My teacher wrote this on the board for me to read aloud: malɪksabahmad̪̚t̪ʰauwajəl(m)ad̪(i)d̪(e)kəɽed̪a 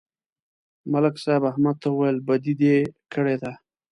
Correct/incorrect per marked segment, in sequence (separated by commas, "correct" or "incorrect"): incorrect, correct, correct